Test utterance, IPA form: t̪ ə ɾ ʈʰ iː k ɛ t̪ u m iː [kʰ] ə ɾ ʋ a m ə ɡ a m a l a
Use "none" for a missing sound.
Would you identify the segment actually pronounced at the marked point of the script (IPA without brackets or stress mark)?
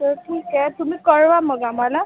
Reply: k